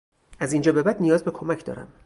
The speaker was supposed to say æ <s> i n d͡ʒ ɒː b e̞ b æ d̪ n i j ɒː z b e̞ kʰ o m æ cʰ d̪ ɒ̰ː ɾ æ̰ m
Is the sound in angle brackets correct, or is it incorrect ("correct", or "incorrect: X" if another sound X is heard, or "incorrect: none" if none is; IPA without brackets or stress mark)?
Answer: incorrect: z